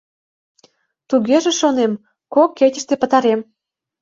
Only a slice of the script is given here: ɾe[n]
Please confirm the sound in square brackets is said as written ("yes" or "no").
no